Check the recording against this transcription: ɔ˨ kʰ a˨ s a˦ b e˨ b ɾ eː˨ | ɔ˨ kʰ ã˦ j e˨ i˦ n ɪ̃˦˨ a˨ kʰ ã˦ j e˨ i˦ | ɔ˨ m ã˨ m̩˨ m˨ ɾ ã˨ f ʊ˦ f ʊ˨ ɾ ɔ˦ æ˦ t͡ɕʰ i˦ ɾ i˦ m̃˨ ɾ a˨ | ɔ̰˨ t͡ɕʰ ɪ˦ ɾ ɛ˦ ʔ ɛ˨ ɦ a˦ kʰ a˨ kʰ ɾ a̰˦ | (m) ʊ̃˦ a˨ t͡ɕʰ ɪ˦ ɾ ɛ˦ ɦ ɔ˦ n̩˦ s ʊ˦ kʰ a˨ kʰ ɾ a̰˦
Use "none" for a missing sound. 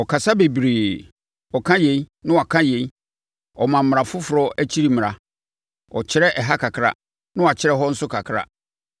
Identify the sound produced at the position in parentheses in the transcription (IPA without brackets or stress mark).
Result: n